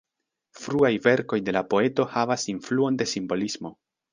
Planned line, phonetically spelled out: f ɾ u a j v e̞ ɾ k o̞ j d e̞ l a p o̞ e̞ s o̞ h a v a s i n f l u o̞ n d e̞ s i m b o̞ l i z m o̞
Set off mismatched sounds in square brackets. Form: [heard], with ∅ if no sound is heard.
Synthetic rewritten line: f ɾ u a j v e̞ ɾ k o̞ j d e̞ l a p o̞ e̞ [t] o̞ h a v a s i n f l u o̞ n d e̞ s i m b o̞ l i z m o̞